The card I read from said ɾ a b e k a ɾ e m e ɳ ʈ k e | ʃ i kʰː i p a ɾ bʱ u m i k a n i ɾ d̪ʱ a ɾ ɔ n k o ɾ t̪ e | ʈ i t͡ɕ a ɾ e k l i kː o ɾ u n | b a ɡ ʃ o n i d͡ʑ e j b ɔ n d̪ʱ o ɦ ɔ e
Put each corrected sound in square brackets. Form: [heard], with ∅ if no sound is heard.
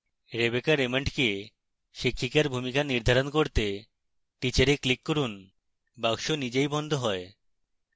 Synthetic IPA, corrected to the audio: ɾ [e] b e k a ɾ e m e ɳ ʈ k e | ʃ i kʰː i [k] a ɾ bʱ u m i k a n i ɾ d̪ʱ a ɾ [o] n k o ɾ t̪ e | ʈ i t͡ɕ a ɾ e k l i kː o ɾ u n | b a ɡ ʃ o n i d͡ʑ e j b ɔ n d̪ʱ o ɦ ɔ e